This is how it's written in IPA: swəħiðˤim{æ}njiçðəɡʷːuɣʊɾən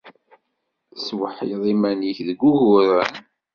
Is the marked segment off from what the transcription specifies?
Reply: no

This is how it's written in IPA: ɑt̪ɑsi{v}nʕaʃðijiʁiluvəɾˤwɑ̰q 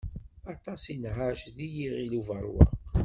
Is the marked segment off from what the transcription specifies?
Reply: yes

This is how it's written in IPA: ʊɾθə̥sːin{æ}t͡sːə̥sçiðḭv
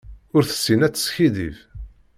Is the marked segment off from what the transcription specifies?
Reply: no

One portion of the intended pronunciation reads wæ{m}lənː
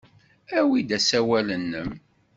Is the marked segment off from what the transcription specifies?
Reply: yes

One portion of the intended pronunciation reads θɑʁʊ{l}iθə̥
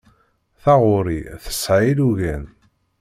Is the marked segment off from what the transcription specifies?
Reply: yes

